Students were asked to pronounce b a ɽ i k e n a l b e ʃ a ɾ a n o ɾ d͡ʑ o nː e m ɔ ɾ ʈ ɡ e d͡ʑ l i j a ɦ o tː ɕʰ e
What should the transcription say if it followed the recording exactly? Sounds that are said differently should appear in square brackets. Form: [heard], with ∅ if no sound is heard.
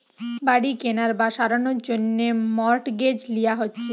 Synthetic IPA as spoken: b a ɽ i k e n a [ɾ] b [a] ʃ a ɾ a n o ɾ d͡ʑ o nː e m ɔ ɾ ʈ ɡ e d͡ʑ l i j a ɦ o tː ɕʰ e